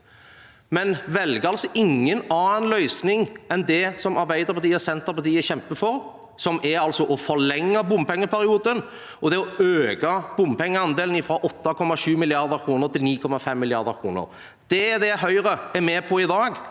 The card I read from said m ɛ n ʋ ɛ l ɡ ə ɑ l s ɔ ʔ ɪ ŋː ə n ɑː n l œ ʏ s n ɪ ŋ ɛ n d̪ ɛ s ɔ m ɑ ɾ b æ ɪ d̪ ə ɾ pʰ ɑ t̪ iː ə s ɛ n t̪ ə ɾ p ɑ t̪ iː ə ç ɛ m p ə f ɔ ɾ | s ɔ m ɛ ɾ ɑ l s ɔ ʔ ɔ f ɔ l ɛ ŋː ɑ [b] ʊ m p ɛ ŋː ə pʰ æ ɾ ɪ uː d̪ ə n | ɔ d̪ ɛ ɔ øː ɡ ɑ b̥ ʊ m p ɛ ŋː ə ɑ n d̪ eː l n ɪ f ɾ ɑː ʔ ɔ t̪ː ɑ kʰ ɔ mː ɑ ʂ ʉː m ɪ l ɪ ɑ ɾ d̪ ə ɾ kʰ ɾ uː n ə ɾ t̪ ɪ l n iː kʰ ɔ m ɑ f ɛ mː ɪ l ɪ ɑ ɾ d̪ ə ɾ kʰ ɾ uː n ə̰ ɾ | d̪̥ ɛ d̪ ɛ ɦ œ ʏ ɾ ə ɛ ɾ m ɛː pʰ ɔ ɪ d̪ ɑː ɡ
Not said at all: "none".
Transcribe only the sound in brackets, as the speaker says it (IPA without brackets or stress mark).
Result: b